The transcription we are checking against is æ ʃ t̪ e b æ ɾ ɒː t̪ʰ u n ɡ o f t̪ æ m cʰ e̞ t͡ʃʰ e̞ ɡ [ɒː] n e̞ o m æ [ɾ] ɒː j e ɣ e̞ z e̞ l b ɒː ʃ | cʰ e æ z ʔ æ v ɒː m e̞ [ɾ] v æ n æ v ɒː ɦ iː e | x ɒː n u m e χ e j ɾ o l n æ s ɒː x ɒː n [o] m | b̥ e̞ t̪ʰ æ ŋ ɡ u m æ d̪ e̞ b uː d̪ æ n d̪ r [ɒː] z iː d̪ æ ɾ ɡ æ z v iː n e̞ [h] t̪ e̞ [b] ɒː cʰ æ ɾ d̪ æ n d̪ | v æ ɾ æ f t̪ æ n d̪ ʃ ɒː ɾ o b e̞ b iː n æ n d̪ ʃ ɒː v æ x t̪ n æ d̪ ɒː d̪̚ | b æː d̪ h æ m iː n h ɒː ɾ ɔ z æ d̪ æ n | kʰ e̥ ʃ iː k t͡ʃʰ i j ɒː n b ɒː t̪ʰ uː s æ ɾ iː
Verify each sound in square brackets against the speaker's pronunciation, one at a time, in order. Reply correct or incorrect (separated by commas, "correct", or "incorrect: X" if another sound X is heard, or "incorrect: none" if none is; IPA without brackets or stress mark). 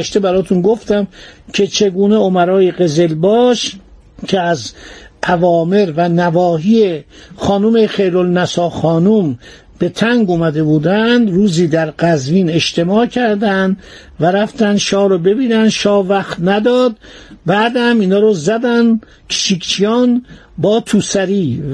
incorrect: uː, correct, correct, incorrect: u, incorrect: uː, incorrect: ʃ, incorrect: m